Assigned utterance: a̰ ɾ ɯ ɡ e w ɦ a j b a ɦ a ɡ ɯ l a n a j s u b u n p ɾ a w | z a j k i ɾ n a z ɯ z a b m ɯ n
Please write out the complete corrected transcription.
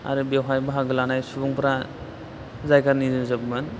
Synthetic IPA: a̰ ɾ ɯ b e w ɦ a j b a ɦ a ɡ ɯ l a n a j s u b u ŋ p ɾ a | z a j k a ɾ n i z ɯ z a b m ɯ n